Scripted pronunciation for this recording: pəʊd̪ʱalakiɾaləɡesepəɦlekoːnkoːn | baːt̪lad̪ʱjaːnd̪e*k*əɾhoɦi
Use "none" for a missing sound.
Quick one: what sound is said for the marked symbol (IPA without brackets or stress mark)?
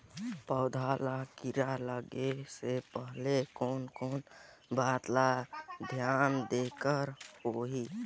k